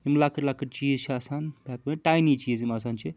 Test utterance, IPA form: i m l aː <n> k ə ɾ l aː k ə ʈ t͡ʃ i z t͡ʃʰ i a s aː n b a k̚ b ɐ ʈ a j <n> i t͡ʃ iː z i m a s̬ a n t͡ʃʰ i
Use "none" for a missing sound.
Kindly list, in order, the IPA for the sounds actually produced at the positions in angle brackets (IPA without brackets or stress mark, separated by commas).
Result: none, n